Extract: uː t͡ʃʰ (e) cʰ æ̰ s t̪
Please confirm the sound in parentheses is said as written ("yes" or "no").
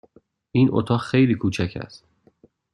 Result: no